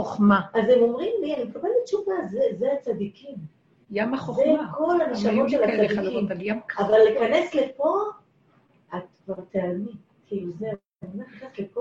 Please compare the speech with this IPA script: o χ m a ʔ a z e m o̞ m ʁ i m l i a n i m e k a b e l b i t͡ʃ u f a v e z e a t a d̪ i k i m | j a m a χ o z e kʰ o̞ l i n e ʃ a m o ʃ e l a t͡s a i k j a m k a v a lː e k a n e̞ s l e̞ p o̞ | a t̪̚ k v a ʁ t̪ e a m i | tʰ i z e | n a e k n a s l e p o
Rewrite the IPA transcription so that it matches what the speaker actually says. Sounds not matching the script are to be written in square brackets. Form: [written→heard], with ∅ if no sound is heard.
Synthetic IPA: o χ m a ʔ a z e m o̞ m ʁ i m l i a n i m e k a b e l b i t͡ʃ u [f→v] a [v→z] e z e a [t→t͡s] a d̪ i k i m | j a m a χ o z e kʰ o̞ l [i→a] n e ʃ a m o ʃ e l a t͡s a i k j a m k a v a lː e k a n e̞ s l e̞ p o̞ | a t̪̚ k v a ʁ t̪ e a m i | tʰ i z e | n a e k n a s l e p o